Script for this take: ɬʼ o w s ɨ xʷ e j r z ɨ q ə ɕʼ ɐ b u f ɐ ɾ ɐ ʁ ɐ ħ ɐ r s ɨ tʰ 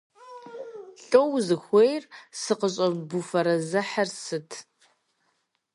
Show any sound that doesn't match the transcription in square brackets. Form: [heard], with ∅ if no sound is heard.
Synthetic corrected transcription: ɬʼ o w [z] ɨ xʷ e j r [s] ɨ q ə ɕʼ ɐ b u f ɐ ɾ ɐ [z] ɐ ħ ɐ r s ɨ tʰ